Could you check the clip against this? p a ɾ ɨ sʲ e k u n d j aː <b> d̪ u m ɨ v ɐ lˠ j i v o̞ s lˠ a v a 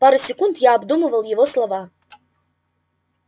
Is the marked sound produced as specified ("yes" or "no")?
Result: yes